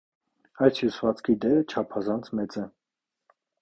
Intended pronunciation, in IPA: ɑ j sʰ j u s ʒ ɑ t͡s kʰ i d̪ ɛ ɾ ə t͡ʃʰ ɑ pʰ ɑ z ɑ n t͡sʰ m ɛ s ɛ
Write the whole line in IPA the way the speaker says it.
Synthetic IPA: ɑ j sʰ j u s v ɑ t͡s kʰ i d̪ ɛ ɾ ə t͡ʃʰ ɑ pʰ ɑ z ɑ n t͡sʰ m ɛ t͡s ɛ